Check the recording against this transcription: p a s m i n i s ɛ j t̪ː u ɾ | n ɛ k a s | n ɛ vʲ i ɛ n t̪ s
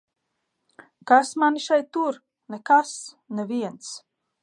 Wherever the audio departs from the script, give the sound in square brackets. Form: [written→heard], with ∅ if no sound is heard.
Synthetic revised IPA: [p→k] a s m [i→a] n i [s→ʃ] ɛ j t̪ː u ɾ | n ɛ k a s | n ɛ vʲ i ɛ n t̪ s